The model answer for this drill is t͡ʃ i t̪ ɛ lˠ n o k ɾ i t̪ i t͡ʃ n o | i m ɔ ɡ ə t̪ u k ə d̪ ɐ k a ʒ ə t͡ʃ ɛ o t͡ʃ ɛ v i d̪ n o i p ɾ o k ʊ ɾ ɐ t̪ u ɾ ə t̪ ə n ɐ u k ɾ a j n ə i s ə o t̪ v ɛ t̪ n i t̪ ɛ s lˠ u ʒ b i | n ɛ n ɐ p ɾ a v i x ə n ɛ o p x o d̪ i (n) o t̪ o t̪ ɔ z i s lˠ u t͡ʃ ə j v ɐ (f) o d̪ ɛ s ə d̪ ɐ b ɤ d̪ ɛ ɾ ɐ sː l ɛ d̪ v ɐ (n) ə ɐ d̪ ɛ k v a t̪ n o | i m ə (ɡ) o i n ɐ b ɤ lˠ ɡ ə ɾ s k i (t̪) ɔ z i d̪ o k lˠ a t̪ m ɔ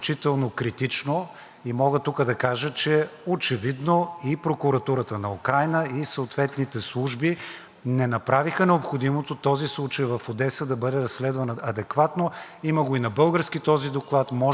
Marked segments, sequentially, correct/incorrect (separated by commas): incorrect, correct, correct, correct, correct